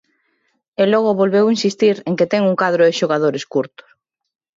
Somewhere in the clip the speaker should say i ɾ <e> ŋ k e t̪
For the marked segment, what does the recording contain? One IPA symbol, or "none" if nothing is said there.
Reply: e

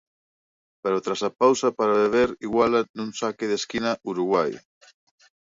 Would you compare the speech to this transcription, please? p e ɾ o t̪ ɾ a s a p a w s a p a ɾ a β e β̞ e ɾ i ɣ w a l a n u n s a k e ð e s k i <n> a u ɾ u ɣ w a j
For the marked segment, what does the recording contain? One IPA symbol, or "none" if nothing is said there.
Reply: n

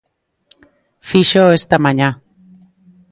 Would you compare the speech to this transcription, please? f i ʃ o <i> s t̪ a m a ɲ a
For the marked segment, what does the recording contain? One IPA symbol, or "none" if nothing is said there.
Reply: e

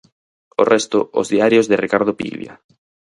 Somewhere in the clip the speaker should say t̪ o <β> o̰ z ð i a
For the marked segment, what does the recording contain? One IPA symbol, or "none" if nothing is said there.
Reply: none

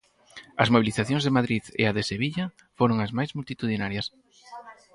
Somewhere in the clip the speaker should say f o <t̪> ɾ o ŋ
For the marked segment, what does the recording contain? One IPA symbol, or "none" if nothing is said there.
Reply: none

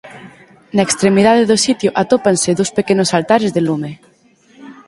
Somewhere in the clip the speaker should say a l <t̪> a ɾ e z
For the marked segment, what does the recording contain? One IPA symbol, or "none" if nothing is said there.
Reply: t̪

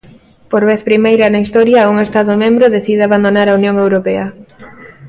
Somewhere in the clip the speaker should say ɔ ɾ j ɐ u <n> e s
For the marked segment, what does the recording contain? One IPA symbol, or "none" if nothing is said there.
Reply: ŋ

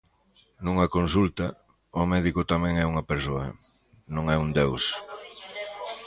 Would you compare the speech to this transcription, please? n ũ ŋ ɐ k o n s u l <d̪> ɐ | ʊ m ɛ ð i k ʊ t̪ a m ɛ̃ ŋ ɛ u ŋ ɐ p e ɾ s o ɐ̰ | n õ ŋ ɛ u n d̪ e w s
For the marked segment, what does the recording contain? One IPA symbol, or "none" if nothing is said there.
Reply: t̪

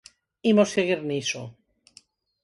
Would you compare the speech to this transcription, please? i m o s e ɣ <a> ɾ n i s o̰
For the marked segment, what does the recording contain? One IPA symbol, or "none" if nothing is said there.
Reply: i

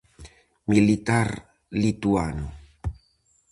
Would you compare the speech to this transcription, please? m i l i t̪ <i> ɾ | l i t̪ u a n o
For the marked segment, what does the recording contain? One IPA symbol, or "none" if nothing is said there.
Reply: a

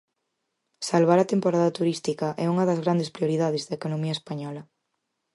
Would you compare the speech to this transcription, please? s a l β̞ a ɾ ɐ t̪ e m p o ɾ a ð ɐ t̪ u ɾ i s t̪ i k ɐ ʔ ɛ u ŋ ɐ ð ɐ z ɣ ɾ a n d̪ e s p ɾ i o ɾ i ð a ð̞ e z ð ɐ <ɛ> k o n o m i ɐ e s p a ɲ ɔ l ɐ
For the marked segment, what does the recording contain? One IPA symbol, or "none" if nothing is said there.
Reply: e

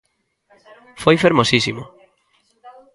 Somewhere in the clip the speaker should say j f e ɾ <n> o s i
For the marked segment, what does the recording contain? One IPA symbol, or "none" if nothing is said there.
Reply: m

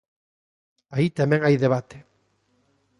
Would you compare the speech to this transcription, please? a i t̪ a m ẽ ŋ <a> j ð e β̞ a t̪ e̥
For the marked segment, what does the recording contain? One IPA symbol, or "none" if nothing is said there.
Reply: a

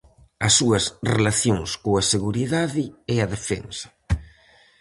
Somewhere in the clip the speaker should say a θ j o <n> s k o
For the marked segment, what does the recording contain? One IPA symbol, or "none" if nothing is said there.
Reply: ŋ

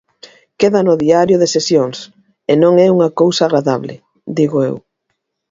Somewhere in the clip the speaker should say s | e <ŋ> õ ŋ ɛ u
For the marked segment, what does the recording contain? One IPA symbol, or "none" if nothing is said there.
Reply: n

